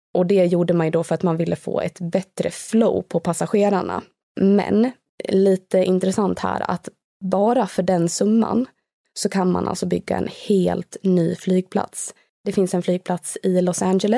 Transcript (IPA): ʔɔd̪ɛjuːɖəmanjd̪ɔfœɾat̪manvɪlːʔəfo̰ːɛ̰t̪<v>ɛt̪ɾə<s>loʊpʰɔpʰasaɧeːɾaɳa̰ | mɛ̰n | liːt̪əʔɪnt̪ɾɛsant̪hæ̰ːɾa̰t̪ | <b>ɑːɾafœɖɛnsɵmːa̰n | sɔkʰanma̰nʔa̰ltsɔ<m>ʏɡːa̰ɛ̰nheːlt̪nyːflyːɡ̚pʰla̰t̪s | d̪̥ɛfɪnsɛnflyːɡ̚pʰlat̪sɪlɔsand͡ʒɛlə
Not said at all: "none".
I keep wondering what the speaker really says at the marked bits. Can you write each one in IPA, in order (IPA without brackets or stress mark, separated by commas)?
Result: b, f, b, b